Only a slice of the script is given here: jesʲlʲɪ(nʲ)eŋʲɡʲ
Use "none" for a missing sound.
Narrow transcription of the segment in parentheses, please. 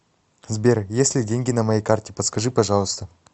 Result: dʲ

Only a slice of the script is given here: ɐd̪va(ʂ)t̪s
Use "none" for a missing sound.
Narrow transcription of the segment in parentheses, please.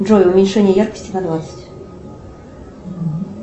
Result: none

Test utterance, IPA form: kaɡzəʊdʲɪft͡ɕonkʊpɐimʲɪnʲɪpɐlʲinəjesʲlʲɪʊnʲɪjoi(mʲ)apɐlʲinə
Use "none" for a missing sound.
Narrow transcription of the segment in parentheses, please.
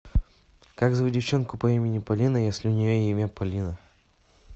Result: mʲ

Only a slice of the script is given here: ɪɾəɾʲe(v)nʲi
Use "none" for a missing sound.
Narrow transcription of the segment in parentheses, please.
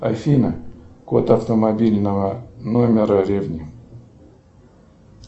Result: v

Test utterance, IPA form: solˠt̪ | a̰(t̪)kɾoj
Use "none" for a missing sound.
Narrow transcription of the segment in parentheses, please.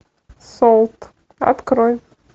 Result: t̪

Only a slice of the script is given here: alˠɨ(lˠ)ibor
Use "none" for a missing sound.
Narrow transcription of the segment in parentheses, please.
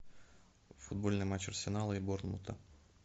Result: none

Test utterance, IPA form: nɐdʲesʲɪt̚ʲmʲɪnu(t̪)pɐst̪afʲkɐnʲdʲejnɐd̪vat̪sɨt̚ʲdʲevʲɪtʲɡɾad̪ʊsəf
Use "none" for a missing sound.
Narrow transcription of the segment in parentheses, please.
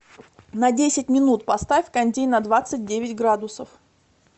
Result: t̪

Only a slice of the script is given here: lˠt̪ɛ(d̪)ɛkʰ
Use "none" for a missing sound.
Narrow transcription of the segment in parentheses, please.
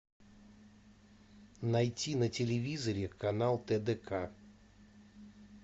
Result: d̪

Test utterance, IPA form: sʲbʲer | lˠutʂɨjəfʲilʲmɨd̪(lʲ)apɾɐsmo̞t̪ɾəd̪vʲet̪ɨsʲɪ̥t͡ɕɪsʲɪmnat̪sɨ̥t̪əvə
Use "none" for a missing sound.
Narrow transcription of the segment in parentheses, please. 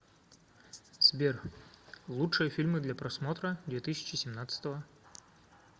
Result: lʲ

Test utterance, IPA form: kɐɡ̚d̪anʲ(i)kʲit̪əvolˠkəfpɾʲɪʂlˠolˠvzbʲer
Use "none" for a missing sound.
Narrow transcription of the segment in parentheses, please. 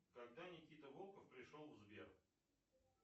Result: ɪ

